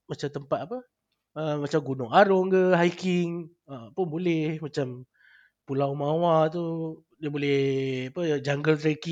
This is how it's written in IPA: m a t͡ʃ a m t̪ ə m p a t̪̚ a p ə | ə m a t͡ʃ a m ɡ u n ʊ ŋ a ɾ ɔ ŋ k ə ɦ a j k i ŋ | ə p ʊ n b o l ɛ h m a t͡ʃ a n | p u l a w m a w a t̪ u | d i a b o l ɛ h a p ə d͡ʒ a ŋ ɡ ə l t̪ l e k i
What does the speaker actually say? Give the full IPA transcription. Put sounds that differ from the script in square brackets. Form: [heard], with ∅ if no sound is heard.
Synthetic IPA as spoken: m a t͡ʃ a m t̪ ə m p a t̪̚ a p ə | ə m a t͡ʃ a m ɡ u n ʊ ŋ a ɾ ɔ ŋ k ə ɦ a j k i ŋ | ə p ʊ n b o l ɛ h m a t͡ʃ a [m] | p u l a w m a w a t̪ u | d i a b o l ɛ h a p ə d͡ʒ a ŋ ɡ ə l t̪ [ɾ] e k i